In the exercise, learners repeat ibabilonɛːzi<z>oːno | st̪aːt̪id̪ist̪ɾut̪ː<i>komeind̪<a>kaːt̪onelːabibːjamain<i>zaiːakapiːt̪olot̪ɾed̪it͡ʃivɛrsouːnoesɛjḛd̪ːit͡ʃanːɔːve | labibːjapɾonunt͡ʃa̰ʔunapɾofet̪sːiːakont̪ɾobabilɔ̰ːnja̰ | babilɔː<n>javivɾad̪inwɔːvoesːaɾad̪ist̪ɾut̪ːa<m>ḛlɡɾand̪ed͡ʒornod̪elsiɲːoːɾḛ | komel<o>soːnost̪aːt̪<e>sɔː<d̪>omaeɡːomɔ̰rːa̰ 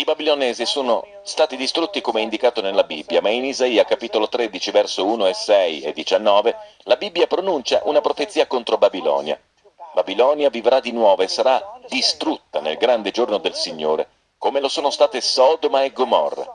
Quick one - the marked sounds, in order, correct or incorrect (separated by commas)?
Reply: incorrect, correct, incorrect, correct, correct, incorrect, correct, correct, correct